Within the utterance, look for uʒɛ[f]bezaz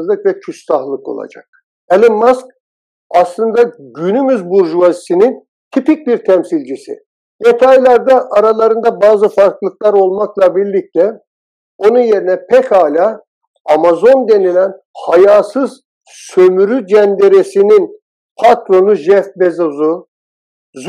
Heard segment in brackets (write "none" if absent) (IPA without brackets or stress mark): f